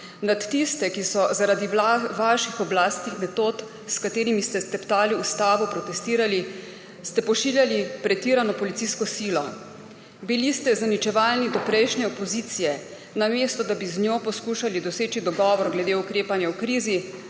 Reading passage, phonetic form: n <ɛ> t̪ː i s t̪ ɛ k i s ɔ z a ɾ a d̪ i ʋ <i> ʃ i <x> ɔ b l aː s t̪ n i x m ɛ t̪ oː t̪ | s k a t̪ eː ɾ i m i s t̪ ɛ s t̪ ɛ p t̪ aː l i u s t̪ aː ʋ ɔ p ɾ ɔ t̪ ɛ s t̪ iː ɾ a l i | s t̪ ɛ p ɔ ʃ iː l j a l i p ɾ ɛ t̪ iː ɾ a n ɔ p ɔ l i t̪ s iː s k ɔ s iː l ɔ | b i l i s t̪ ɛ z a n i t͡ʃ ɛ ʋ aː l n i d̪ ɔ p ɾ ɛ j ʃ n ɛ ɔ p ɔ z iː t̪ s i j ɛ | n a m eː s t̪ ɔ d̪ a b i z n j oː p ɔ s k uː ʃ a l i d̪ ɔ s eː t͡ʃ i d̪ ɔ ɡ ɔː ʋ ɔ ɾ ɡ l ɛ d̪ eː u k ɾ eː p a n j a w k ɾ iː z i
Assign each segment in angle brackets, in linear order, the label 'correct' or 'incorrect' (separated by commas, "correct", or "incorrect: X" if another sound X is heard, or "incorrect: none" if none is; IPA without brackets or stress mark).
incorrect: a, incorrect: a, correct